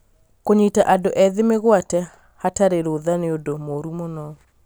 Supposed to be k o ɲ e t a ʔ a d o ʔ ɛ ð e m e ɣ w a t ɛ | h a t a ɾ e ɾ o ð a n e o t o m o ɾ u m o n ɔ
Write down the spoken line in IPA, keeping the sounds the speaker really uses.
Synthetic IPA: k o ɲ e t a ʔ a d o ʔ ɛ ð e m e ɣ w a t ɛ | h a t a ɾ e ɾ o ð a n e o d o m o ɾ u m o n ɔ

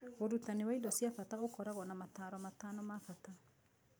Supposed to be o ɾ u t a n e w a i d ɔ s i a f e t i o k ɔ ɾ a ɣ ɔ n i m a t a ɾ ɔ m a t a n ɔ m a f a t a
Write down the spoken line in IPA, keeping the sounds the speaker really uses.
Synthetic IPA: o ɾ u t a n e w a i d ɔ s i a f a t a o k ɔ ɾ a ɣ ɔ n a m a t a ɾ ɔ m a t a n ɔ m a f a t a

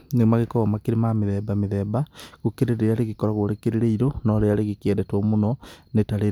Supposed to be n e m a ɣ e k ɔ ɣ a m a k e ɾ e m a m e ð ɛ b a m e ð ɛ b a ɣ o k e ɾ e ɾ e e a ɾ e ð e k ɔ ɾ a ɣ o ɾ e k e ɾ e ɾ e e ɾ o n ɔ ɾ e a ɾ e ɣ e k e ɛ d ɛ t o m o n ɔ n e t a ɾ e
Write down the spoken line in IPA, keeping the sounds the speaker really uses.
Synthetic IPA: n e m a ɣ e k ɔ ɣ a m a k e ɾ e m a m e ð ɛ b a m e ð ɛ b a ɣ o k e ɾ e ɾ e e a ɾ e ɣ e k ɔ ɾ a ɣ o ɾ e k e ɾ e ɾ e i ɾ o n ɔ ɾ e a ɾ e ɣ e k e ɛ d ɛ t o m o n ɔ n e t a ɾ e

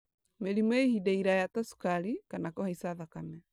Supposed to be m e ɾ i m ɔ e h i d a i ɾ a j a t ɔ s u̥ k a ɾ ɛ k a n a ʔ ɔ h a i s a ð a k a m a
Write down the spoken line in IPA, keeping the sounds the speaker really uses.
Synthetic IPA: m e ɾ i m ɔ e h i d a i ɾ a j a t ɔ s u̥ k a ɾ i k a n a k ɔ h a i s a ð a k a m ɛ

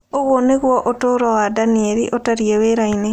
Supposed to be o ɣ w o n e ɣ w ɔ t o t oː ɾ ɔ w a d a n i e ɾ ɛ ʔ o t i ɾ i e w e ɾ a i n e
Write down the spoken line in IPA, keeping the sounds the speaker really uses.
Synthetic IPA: o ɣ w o n e ɣ w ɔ ʔ o t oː ɾ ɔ w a d a n i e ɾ i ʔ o t a ɾ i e w e ɾ a i n e

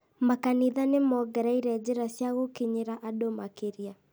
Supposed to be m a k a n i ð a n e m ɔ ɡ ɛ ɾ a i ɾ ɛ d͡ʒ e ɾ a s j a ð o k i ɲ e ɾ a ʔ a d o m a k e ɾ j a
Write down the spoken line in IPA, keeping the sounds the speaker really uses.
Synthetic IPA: m a k a n i ð a n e m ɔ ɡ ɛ ɾ a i ɾ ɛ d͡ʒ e ɾ a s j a ɣ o k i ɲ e ɾ a ʔ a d o m a k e ɾ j a

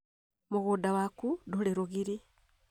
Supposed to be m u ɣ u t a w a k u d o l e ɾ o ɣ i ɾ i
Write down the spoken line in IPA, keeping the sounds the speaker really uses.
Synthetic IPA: m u ɣ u d a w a k u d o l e ɾ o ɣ i ɾ i

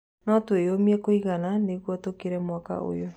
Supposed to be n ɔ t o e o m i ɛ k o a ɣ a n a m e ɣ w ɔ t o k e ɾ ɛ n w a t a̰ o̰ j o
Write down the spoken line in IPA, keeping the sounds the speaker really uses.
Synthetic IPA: n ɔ t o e o m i ɛ k o i ɣ a n a n e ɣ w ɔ t o k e ɾ ɛ m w a k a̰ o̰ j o

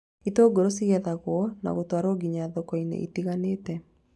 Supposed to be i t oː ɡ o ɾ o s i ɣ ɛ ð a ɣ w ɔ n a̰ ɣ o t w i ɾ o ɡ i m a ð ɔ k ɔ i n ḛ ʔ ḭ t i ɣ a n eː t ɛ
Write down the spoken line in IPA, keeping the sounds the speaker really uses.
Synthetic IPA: i t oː ɡ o ɾ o s i ɣ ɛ ð a ɣ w ɔ n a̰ ɣ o t w a ɾ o ɡ i ɲ a ð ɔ k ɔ i n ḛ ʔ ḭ t i ɣ a n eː t ɛ

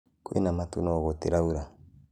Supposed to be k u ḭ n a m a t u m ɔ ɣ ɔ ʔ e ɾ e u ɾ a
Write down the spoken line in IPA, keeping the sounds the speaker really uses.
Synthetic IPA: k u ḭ n a m a t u n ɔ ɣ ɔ t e ɾ a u ɾ a

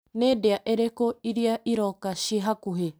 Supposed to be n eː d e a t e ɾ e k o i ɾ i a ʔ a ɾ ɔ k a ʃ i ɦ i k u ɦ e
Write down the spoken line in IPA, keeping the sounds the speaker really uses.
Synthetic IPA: n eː d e a ʔ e ɾ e k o i ɾ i a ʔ i ɾ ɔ k a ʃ i ɦ a k u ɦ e

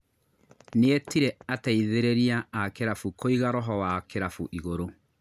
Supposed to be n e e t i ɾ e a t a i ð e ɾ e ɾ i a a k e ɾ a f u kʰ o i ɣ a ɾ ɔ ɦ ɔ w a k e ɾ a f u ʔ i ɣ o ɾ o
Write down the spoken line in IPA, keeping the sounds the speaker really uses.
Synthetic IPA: n e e t i ɾ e a t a i ð e ɾ e ɾ i a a k e ɾ a f u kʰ o i ɣ a ɾ ɔ ɦ ɔ w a k e ɾ a f u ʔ i ɣ o ɾ o

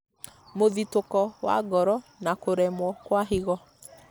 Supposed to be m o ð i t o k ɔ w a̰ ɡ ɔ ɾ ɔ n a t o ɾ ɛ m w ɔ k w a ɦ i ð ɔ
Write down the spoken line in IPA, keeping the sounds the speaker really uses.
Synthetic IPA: m o ð i t o k ɔ w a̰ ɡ ɔ ɾ ɔ n a k o ɾ ɛ m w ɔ k w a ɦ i ɣ ɔ

